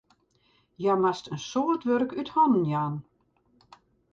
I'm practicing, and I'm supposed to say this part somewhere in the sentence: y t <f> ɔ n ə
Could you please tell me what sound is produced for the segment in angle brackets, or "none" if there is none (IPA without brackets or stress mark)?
h